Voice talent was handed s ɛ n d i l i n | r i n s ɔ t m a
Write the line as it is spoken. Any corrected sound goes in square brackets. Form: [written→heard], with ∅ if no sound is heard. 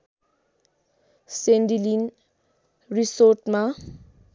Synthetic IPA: s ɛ n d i l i n | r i [n→∅] s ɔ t m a